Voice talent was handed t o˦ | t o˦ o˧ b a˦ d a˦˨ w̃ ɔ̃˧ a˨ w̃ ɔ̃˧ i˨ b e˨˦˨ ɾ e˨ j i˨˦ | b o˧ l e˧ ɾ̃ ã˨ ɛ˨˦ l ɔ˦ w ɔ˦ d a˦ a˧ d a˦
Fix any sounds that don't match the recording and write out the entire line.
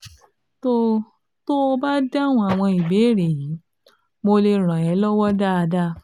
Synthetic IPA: t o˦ | t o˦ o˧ b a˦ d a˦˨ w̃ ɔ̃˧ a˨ w̃ ɔ̃˧ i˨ b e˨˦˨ ɾ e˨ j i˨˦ | m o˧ l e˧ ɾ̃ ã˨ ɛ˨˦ l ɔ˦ w ɔ˦ d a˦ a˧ d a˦